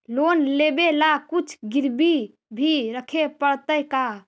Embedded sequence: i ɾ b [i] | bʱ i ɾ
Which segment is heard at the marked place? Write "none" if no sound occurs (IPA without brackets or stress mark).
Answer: i